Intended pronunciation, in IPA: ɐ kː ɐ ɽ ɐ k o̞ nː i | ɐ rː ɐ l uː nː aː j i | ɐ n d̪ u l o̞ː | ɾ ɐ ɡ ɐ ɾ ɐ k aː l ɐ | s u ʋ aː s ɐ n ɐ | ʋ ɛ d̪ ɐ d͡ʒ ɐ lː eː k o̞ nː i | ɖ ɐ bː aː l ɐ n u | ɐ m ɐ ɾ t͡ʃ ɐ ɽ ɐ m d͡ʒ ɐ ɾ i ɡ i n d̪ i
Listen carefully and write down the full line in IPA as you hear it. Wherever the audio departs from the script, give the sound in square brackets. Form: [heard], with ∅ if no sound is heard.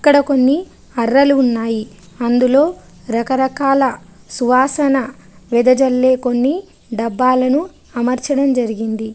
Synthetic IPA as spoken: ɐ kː ɐ ɽ ɐ k o̞ nː i | ɐ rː ɐ l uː nː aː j i | ɐ n d̪ u l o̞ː | ɾ ɐ [k] ɐ ɾ ɐ k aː l ɐ | s u ʋ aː s ɐ n ɐ | ʋ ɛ d̪ ɐ d͡ʒ ɐ lː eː k o̞ nː i | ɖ ɐ bː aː l ɐ n u | ɐ m ɐ ɾ t͡ʃ ɐ ɽ ɐ m d͡ʒ ɐ ɾ i ɡ i n d̪ i